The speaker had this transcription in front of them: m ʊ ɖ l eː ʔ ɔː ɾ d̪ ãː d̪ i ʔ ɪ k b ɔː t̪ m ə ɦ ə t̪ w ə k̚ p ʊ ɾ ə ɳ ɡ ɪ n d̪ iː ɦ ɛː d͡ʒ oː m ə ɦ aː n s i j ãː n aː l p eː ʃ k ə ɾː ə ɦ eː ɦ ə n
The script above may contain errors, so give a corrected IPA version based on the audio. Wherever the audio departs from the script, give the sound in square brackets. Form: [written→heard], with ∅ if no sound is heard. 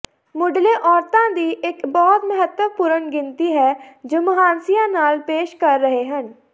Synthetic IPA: m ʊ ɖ l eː ʔ ɔː ɾ [d̪→t̪] ãː d̪ [i→iː] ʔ ɪ k b ɔː t̪ m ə ɦ ə t̪ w ə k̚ p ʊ ɾ ə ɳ ɡ ɪ n [d̪→t̪] iː ɦ ɛː d͡ʒ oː m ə ɦ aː n s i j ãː n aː l p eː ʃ k ə ɾː ə ɦ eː ɦ ə n